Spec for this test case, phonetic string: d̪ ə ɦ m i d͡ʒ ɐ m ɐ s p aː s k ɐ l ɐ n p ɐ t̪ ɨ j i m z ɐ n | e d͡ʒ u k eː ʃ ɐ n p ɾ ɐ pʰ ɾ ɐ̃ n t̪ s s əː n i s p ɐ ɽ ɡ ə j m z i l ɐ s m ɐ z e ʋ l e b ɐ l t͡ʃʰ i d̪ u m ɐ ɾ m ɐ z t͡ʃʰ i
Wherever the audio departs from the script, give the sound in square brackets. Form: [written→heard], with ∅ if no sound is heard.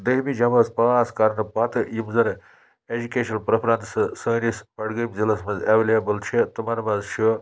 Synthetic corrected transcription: d̪ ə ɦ m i d͡ʒ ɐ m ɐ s p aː s k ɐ [l→ɾ] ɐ n p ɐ t̪ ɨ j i m z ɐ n | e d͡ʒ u k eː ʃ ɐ n p ɾ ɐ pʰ ɾ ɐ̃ n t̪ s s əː n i s p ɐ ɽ ɡ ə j m z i l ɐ s m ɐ z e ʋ l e b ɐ l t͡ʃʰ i [d̪→t̪] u m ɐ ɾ m ɐ z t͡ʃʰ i